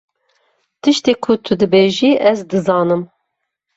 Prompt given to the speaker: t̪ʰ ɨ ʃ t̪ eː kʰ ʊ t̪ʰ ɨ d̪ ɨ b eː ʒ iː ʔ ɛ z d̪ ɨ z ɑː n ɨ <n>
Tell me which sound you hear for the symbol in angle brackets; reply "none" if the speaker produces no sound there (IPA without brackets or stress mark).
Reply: m